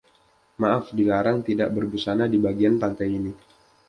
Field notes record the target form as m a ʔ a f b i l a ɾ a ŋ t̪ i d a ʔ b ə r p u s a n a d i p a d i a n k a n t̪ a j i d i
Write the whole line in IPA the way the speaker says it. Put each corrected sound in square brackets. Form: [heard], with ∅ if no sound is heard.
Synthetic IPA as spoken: m a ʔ a f [d] i l a ɾ a ŋ t̪ i d a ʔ b ə r [b] u s a n a d i [b] a [ɡ] i a n [p] a n t̪ a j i [n] i